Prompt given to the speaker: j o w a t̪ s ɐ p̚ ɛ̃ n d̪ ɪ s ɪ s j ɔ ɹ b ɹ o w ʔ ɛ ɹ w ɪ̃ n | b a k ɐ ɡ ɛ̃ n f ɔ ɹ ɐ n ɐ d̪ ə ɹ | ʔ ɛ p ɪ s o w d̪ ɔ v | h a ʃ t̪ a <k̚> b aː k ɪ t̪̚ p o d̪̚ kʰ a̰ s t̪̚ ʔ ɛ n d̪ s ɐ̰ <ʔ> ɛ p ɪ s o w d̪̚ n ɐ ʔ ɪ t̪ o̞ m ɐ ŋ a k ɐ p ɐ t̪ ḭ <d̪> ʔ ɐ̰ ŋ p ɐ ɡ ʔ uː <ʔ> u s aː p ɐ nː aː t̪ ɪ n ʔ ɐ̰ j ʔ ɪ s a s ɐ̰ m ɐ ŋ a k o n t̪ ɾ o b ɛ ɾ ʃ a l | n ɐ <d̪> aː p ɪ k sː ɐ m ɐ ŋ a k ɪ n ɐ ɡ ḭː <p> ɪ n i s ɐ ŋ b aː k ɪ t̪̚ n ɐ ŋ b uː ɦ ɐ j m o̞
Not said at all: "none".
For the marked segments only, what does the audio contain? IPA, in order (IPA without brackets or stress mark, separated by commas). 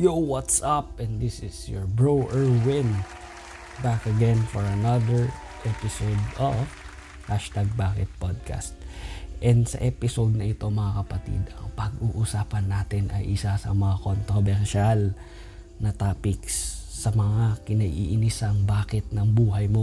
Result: ɡ̚, ʔ, d̪, ʔ, t̪, ʔ